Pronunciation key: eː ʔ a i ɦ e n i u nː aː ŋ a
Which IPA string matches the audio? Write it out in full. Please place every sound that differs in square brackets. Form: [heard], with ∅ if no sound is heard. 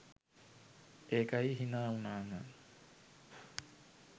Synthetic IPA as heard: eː [k] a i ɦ [i] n [a] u [n] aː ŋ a